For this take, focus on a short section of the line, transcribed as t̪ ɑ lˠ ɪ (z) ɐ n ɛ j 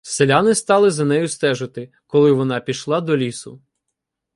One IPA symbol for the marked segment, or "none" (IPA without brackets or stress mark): z